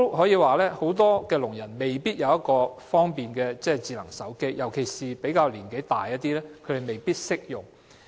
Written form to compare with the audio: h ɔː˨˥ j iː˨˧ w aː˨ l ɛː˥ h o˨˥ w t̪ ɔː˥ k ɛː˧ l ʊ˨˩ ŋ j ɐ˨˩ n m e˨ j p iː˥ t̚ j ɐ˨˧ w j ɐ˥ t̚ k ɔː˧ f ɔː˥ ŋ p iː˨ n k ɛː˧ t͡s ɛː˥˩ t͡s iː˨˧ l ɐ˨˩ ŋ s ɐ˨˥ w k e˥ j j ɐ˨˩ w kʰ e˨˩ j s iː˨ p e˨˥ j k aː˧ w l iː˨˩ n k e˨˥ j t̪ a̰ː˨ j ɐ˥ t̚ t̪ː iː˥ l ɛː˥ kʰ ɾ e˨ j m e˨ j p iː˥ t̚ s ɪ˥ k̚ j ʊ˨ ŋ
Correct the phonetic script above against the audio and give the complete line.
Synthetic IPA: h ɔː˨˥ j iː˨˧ w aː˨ l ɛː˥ h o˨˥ w t̪ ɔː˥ k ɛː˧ l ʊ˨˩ ŋ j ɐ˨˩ n m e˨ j p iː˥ t̚ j ɐ˨˧ w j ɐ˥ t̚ k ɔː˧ f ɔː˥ ŋ p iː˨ n k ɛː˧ t͡s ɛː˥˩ t͡s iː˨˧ l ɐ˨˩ ŋ s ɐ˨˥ w k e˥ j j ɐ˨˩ w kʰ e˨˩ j s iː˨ p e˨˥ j k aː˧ w l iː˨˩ n k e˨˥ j t̪ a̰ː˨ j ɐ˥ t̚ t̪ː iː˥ l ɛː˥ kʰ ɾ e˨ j m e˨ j p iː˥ t̚ s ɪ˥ k̚ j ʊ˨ ŋ

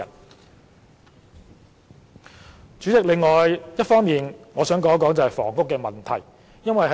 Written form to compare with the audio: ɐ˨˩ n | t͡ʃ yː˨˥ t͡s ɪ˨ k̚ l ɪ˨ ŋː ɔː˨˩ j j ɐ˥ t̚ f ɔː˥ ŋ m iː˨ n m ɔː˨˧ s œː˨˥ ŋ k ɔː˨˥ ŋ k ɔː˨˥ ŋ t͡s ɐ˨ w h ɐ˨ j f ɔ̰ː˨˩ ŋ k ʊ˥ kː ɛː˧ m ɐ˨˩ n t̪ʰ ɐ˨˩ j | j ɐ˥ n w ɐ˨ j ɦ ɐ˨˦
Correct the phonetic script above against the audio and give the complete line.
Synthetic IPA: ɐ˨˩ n | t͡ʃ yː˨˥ t͡s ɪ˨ k̚ l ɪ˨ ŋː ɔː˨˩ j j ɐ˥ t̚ f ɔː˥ ŋ m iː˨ n ŋ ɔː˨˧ s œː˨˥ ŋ k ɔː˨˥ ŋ k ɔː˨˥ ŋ t͡s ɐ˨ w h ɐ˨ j f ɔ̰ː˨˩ ŋ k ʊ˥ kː ɛː˧ m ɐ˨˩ n t̪ʰ ɐ˨˩ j | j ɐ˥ n w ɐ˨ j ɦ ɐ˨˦

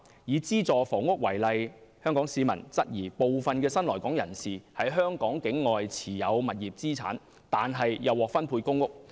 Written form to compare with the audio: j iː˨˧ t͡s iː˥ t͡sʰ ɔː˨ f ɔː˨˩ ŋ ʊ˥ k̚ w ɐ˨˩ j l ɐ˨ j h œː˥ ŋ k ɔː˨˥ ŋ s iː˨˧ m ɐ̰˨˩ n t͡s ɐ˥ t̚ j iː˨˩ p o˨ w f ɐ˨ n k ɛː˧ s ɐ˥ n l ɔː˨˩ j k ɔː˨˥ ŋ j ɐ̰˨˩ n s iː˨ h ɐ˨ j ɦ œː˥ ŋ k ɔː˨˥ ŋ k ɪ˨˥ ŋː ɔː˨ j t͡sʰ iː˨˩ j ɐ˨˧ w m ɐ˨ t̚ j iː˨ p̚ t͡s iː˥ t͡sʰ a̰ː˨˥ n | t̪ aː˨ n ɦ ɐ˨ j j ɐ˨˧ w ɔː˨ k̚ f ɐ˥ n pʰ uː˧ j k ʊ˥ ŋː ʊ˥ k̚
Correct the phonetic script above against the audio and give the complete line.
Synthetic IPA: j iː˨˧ t͡s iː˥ t͡s ɔː˨ f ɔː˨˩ ŋ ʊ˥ k̚ w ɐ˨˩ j l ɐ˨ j h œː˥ ŋ k ɔː˨˥ ŋ s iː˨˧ m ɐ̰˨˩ n t͡s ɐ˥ t̚ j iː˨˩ p o˨ w f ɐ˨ n k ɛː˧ s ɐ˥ n l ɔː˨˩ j k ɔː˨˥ ŋ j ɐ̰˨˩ n s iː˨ h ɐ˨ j ɦ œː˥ ŋ k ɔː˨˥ ŋ k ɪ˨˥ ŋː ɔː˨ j t͡sʰ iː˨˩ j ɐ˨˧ w m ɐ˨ t̚ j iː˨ p̚ t͡s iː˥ t͡sʰ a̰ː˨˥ n | t̪ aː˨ n ɦ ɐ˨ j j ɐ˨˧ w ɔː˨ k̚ f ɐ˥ n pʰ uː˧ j k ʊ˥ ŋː ʊ˥ k̚

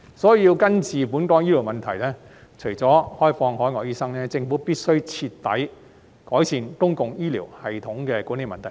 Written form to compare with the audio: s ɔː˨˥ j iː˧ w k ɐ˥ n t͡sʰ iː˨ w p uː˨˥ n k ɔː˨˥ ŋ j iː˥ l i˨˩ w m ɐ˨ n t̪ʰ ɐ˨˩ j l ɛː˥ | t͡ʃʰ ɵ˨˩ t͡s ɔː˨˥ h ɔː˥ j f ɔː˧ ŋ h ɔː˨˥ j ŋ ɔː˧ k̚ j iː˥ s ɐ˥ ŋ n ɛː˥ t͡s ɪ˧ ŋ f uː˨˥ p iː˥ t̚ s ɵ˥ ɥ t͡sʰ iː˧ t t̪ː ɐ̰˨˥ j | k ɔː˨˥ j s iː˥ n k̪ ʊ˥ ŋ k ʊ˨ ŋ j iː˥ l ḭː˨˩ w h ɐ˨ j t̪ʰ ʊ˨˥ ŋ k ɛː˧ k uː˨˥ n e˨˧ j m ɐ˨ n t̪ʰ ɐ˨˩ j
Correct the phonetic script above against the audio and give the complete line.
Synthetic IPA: s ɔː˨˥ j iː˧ w k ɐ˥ n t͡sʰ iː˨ p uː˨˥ n k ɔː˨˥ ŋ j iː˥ l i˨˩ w m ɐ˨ n t̪ʰ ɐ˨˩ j l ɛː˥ | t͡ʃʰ ɵ˨˩ t͡s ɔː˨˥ h ɔː˥ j f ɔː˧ ŋ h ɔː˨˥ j ŋ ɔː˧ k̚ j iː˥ s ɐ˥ ŋ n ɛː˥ t͡s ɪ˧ ŋ f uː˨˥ p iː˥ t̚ s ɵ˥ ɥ t͡sʰ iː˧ t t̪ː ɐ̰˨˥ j | k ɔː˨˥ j s iː˨ n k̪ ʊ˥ ŋ k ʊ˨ ŋ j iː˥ l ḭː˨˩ w h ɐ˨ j t̪ʰ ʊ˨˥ ŋ k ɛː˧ k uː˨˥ n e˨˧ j m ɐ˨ n t̪ʰ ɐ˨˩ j

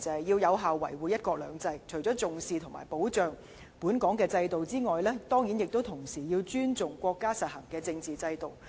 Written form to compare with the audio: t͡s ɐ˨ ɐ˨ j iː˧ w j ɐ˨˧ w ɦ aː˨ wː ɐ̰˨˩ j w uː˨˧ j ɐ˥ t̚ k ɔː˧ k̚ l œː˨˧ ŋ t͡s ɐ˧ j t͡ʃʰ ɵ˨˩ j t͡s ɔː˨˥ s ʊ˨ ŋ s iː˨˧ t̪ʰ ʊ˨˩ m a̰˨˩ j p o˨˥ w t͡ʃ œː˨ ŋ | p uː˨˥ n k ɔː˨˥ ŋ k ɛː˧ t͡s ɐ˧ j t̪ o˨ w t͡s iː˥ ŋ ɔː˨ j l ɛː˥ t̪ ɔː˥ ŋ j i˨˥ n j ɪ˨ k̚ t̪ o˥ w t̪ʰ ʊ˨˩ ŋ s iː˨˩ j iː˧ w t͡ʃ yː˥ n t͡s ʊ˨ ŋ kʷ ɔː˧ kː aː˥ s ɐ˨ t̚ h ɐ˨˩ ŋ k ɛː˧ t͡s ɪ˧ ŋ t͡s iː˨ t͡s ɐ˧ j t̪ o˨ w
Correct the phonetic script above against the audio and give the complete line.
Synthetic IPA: t͡s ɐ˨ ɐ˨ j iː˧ w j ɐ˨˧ w ɦ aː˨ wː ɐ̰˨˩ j w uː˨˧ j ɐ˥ t̚ k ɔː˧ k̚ l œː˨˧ ŋ t͡s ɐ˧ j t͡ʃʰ ɵ˨˩ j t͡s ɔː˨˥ t͡s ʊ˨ ŋ s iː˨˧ t̪ʰ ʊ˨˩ m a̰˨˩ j p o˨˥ w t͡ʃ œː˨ ŋ | p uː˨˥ n k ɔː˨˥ ŋ k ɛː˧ t͡s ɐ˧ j t̪ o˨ w t͡s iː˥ ŋ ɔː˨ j l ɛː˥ t̪ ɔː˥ ŋ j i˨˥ n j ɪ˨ k̚ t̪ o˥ w t̪ʰ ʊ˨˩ ŋ s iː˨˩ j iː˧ w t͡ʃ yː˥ n t͡s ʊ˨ ŋ kʷ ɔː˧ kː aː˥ s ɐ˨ t̚ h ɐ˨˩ ŋ k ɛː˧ t͡s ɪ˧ ŋ t͡s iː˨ t͡s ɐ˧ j t̪ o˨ w

